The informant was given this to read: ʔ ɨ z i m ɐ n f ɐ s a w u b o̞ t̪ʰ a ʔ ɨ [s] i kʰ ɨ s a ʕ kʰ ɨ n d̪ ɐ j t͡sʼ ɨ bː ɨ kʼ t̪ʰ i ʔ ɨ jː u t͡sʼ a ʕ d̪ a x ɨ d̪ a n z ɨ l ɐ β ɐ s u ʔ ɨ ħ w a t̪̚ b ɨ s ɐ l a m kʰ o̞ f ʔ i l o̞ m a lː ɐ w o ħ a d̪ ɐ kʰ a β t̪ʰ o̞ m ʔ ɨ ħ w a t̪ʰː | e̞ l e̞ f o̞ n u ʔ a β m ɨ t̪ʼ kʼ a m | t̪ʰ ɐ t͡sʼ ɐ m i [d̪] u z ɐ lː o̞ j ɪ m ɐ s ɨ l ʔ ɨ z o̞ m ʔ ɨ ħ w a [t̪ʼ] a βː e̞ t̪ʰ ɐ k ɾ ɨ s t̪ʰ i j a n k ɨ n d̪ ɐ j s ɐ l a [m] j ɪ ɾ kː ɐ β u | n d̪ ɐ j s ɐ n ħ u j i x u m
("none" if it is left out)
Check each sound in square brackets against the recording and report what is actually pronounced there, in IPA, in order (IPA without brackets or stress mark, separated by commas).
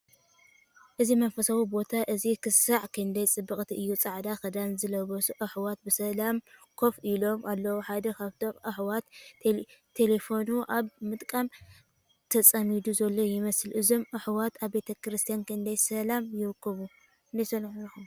z, d̪, t̪, m